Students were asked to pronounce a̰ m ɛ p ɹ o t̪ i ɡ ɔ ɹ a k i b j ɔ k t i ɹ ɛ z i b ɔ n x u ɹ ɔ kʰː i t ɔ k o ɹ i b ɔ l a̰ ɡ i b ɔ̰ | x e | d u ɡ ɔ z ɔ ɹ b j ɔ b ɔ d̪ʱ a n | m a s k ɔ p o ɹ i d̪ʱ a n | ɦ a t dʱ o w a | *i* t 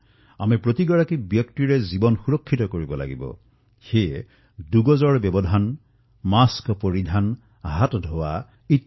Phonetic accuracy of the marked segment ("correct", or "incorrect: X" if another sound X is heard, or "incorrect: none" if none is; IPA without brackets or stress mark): correct